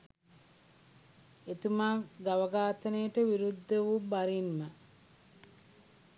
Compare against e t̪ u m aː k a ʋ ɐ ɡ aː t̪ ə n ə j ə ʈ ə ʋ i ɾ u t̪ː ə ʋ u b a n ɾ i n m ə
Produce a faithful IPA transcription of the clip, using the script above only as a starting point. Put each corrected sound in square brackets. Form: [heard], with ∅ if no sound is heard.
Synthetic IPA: e t̪ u m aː [ɡ] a ʋ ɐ ɡ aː t̪ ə n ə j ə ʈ ə ʋ i ɾ u [d̪ː] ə ʋ u b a [∅] ɾ i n m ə